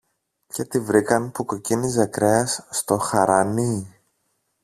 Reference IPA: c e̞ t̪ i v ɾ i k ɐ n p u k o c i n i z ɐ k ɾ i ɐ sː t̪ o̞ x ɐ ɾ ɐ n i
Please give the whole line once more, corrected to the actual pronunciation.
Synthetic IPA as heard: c e̞ t̪ i v ɾ i k ɐ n p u k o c i n i z ɐ k ɾ e ɐ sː t̪ o̞ x ɐ ɾ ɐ n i